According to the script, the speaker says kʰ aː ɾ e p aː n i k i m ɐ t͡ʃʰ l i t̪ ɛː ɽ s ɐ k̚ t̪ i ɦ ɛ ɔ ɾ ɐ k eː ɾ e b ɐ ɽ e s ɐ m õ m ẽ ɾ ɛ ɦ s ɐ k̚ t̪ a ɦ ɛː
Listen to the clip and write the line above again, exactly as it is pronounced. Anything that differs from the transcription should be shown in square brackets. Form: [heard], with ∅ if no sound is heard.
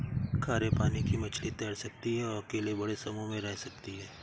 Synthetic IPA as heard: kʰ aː ɾ e p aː n i k i m ɐ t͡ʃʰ l i t̪ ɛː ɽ s ɐ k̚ t̪ i ɦ ɛ ɔ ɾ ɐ k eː [l] e b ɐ ɽ e s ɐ m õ m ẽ ɾ ɛ ɦ s ɐ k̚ t̪ [i] ɦ ɛː